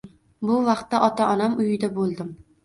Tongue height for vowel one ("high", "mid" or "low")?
high